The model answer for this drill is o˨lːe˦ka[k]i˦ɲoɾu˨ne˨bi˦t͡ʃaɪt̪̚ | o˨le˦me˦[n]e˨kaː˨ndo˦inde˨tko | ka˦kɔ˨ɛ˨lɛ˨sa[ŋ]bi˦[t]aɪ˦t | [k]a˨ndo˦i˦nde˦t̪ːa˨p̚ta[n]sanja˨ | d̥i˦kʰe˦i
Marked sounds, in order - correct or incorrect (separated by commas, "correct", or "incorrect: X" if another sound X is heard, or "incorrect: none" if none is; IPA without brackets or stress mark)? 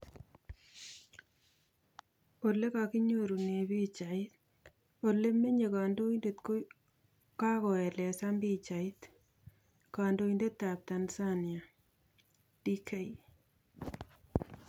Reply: correct, incorrect: ɲ, incorrect: m, incorrect: t͡ʃ, correct, correct